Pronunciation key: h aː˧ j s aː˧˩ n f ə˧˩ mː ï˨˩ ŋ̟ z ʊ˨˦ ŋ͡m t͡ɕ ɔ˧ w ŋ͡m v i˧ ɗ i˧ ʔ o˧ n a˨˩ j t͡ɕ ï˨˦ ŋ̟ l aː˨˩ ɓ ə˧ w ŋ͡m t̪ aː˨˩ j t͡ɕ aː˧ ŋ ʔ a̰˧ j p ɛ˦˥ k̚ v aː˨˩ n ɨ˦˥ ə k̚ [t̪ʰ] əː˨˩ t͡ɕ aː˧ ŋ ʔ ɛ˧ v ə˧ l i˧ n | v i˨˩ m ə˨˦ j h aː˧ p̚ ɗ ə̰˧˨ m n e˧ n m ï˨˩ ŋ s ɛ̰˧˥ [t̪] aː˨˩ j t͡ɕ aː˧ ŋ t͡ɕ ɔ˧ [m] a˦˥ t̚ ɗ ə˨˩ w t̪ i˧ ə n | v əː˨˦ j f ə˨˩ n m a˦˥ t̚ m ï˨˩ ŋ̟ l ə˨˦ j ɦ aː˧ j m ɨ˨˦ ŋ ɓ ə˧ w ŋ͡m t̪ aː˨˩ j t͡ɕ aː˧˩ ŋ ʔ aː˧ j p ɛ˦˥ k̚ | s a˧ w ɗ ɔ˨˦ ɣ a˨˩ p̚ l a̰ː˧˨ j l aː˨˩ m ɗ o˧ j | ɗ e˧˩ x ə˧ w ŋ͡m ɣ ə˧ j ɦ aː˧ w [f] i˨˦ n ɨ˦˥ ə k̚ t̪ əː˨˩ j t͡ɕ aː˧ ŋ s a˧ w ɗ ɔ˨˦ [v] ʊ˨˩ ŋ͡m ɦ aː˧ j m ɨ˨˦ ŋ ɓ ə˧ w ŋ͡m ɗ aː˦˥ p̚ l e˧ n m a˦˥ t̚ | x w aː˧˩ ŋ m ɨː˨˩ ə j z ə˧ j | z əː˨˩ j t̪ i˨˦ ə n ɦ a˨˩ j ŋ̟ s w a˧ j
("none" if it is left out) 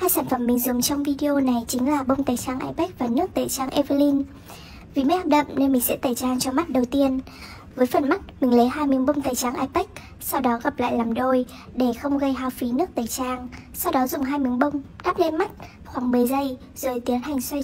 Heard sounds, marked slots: t̪, t̪, m, f, z

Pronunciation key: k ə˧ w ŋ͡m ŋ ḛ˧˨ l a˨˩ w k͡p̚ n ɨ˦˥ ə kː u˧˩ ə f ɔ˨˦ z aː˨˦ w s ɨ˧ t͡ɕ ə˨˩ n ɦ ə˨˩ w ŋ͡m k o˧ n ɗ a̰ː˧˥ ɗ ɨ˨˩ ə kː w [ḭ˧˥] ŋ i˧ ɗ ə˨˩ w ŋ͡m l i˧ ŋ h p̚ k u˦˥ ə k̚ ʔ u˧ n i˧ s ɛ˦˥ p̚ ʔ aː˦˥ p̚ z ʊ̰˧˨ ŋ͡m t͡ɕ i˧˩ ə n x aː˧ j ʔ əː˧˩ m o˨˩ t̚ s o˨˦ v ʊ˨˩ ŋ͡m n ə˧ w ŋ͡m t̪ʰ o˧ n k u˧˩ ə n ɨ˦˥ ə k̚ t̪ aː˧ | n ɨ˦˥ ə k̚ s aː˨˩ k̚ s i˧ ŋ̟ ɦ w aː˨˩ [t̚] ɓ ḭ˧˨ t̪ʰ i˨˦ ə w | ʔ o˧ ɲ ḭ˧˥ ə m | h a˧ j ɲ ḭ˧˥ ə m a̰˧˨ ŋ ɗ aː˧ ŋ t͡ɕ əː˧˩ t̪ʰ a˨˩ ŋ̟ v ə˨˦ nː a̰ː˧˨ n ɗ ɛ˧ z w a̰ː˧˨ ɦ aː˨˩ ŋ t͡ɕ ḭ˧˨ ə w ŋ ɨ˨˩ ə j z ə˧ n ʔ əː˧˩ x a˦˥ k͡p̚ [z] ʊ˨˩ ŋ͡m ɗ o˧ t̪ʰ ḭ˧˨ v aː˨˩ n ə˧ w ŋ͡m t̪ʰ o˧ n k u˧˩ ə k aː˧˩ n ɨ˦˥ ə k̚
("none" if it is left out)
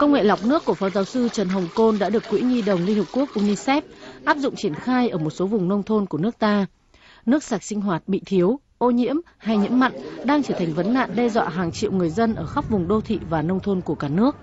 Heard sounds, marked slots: ḭ˧˥, t̚, v

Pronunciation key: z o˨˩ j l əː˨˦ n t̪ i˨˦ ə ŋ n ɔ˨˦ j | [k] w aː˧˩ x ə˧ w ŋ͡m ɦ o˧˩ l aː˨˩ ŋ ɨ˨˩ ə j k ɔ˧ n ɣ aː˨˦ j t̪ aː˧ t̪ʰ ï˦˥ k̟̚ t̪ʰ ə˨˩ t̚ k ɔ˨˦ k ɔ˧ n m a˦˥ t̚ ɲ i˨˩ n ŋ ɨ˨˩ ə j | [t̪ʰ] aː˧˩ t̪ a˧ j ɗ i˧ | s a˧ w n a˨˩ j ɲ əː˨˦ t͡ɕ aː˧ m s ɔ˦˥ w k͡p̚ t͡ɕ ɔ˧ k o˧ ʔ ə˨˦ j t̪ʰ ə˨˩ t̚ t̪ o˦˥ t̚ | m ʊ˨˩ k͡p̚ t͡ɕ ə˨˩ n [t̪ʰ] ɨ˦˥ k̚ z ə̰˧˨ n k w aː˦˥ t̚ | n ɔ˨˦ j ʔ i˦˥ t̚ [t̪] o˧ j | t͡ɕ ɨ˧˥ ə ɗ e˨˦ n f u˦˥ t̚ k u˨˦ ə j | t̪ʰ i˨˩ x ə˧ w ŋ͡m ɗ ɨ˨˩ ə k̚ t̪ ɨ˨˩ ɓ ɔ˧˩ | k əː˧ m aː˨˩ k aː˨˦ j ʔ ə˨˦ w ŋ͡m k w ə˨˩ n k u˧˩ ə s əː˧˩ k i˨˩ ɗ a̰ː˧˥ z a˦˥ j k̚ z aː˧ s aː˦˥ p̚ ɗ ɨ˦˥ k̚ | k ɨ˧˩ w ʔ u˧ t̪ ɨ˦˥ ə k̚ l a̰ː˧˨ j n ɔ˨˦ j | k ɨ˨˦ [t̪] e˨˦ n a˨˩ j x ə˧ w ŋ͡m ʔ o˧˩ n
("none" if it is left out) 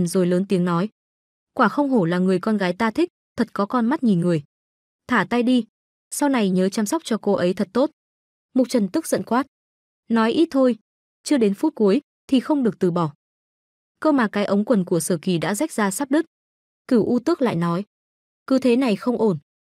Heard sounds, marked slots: k, t̪ʰ, t̪, t̪ʰ, t̪ʰ

